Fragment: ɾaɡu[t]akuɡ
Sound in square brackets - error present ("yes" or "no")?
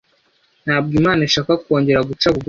yes